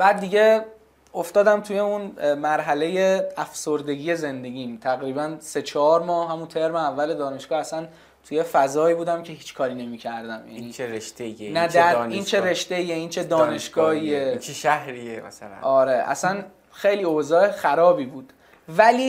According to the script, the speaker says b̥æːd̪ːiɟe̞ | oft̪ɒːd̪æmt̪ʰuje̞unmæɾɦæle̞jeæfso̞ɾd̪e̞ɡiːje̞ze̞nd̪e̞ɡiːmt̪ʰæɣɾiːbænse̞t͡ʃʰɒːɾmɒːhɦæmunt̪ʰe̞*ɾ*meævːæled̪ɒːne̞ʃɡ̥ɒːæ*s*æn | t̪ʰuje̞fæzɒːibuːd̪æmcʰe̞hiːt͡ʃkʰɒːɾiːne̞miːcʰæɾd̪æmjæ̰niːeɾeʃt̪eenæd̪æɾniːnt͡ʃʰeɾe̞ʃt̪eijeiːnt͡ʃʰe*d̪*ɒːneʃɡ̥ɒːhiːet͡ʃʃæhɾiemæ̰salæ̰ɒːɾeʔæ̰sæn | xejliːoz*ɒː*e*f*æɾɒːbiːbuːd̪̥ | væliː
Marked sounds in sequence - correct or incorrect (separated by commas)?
correct, correct, correct, correct, incorrect